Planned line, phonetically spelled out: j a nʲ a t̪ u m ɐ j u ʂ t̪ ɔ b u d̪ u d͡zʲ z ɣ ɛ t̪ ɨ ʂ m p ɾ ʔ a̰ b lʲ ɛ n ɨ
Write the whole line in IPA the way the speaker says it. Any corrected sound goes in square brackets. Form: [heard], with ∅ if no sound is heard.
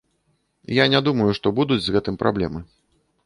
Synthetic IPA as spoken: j a nʲ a [d̪] u m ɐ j u ʂ t̪ ɔ b u d̪ u d͡zʲ z ɣ ɛ t̪ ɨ [∅] m p ɾ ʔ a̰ b lʲ ɛ [m] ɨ